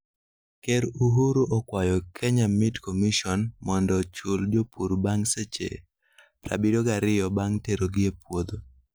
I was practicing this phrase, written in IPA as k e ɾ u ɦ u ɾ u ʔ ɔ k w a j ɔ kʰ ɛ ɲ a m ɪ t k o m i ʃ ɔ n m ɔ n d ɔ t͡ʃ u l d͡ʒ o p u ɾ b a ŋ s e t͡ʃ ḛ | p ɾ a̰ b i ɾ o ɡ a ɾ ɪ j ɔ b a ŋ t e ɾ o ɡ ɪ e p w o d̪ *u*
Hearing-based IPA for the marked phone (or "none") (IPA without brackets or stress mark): o